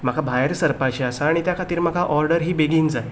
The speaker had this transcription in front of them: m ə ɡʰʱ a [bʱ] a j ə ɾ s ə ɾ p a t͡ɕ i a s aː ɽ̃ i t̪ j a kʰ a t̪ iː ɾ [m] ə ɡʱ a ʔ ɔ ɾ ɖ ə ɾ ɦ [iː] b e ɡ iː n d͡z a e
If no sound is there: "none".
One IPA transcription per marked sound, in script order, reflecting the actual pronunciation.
bʱ, m, iː

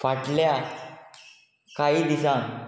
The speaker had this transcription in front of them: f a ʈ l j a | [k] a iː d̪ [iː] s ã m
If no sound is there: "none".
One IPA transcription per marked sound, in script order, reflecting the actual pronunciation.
k, i

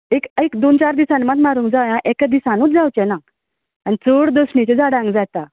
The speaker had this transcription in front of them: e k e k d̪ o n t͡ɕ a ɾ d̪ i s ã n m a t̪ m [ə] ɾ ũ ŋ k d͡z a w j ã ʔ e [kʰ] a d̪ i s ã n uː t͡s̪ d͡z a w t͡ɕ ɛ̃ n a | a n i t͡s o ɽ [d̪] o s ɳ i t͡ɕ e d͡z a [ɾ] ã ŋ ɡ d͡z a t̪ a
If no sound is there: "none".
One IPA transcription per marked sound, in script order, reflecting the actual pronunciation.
a, k, d̪, ɽ

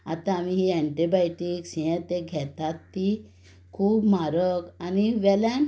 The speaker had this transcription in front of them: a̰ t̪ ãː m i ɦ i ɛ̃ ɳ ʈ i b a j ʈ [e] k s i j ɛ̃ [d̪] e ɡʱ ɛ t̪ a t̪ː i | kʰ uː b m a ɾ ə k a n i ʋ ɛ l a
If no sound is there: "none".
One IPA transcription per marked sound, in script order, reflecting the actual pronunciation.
i, t̪

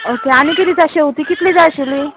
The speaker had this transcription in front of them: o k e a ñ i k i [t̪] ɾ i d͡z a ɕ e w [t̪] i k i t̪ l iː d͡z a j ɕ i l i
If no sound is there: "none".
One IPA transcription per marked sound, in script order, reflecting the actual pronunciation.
none, t̪

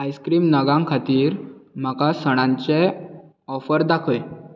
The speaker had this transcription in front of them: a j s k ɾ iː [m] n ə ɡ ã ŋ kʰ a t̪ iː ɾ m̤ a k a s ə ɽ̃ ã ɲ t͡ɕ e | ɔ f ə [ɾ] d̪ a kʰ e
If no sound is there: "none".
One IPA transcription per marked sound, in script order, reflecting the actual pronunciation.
m, ɾ

